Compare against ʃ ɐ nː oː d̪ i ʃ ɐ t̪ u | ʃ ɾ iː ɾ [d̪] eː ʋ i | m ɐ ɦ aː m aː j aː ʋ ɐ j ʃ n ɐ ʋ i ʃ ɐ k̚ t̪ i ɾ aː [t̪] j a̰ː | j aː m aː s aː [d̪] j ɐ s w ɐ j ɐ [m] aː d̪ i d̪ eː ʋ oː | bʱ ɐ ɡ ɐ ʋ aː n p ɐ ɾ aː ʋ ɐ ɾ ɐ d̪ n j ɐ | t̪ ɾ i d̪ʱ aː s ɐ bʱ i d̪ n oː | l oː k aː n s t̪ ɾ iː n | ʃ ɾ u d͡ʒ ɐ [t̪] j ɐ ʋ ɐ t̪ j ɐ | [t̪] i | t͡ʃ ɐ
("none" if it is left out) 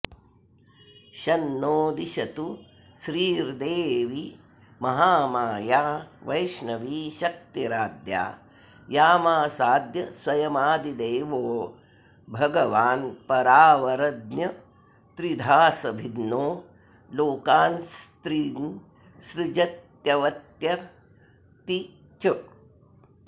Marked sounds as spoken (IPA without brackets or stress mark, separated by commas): d̪, d̪, d̪, m, t̪, t̪